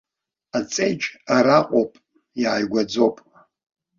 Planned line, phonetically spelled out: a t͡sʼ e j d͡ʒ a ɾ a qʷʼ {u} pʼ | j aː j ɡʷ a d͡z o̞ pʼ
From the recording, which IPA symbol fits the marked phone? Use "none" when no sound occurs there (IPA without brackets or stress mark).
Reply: o